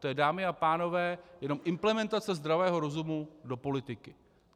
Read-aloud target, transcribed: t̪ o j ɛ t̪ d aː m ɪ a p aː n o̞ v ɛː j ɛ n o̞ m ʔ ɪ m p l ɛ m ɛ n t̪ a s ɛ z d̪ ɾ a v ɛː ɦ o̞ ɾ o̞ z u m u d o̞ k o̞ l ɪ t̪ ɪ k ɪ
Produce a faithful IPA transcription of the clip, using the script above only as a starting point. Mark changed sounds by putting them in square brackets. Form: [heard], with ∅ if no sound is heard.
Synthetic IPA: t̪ o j ɛ [∅] d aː m ɪ a p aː n o̞ v ɛː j ɛ n o̞ m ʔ ɪ m p l ɛ m ɛ n t̪ a [t͡s] ɛ z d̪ ɾ a v ɛː ɦ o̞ ɾ o̞ z u m u d o̞ [p] o̞ l ɪ t̪ ɪ k ɪ

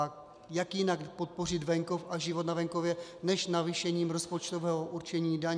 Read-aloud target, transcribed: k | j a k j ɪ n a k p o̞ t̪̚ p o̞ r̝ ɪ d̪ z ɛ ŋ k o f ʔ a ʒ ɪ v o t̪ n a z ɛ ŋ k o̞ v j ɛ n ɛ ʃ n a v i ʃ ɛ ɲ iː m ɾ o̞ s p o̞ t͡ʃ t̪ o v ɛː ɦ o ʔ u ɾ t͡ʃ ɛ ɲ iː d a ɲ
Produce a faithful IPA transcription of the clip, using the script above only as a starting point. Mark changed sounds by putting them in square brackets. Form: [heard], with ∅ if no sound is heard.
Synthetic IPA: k | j a k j ɪ n a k p o̞ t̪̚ p o̞ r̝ ɪ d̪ [v] ɛ ŋ k o f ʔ a ʒ ɪ v o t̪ n a [v] ɛ ŋ k o̞ v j ɛ n ɛ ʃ n a v i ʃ ɛ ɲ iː m ɾ o̞ s p o̞ t͡ʃ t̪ o v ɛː ɦ o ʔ u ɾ t͡ʃ ɛ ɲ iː d a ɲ

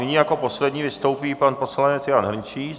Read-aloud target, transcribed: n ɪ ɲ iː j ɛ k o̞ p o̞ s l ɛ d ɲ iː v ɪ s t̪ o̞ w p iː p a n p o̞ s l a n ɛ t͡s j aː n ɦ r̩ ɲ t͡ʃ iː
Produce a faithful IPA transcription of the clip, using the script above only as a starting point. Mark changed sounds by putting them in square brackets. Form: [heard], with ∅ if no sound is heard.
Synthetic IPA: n ɪ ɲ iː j [a] k o̞ p o̞ s l ɛ d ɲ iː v ɪ s t̪ o̞ w p iː p a n p o̞ s l a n ɛ t͡s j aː n ɦ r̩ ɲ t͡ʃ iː

